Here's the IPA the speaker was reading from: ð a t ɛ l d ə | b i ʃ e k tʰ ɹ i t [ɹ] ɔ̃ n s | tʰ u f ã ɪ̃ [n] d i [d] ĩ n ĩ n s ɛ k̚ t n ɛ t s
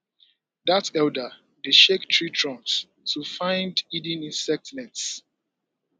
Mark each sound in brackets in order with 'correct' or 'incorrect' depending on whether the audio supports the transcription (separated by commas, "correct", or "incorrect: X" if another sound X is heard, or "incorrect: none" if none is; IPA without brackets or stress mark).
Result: correct, correct, correct